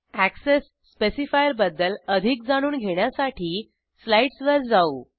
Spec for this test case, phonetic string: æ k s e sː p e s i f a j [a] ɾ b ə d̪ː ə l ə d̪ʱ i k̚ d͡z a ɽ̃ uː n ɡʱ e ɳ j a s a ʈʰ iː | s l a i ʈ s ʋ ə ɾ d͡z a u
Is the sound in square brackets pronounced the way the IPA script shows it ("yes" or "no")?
no